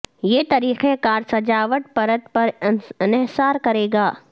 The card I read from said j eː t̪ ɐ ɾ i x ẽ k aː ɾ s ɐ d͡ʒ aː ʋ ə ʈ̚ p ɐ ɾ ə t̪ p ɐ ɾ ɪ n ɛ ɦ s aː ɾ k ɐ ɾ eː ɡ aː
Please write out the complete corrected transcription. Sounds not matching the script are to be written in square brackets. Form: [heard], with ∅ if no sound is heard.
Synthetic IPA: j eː t̪ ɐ ɾ [iː] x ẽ k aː ɾ s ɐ d͡ʒ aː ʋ ə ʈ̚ p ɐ ɾ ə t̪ p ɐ ɾ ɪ n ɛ ɦ s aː ɾ k ɐ ɾ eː ɡ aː